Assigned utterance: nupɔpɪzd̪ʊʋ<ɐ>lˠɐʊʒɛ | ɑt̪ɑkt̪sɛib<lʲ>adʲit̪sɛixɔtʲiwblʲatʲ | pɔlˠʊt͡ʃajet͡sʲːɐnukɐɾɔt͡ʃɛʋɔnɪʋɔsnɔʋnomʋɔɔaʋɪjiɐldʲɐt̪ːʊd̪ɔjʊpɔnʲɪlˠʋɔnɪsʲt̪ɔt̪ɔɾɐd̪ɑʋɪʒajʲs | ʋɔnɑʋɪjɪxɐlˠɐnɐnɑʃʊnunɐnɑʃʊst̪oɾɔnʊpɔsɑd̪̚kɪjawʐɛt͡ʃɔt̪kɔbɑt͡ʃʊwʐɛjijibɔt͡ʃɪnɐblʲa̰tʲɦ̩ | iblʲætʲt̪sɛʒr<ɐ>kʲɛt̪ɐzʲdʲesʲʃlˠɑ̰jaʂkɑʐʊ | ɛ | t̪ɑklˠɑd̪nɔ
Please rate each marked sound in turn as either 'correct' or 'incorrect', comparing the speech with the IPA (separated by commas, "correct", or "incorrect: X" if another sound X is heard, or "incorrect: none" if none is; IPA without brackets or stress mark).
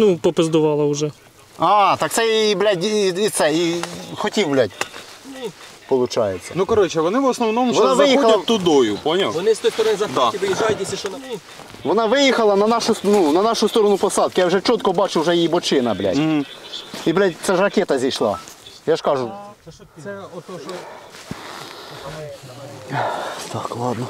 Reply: incorrect: ɑ, correct, correct